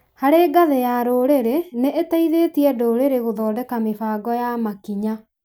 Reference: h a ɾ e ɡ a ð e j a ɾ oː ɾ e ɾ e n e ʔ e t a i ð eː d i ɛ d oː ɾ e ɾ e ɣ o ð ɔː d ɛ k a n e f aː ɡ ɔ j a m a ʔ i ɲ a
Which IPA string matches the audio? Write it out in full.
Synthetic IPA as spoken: h a ɾ e ɡ a ð e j a ɾ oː ɾ e ɾ e n e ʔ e t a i ð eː t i ɛ d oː ɾ e ɾ e ɣ o ð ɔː d ɛ k a m e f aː ɡ ɔ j a m a k i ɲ a